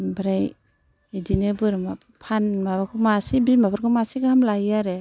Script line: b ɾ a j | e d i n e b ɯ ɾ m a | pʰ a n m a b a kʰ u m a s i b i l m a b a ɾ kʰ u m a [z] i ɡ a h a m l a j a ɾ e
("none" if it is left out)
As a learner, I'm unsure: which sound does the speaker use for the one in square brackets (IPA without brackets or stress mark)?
s